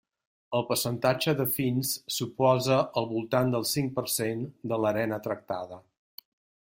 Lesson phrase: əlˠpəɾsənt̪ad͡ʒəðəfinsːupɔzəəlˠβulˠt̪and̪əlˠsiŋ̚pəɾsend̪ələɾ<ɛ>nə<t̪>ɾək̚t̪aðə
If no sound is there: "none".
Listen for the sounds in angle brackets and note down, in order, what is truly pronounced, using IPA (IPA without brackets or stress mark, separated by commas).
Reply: ɛ, t̪